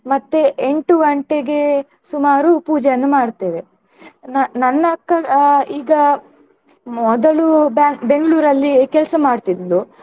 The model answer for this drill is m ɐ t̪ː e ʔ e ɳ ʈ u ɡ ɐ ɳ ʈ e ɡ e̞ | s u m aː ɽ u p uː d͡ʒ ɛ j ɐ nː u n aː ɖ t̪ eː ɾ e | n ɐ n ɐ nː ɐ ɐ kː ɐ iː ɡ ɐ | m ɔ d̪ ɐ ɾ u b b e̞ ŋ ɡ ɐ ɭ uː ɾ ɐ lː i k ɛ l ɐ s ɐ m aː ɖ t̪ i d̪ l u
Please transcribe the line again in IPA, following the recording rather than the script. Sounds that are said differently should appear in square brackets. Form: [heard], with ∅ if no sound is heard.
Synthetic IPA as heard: m ɐ t̪ː e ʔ e ɳ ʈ u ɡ ɐ ɳ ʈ e ɡ e̞ | s u m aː [ɾ] u p uː d͡ʒ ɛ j ɐ nː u [m] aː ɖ t̪ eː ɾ e | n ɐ n ɐ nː ɐ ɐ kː ɐ iː ɡ ɐ | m ɔ d̪ ɐ [ɭ] u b b e̞ ŋ ɡ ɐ ɭ uː ɾ ɐ lː i k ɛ l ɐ s ɐ m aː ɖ t̪ i d̪ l u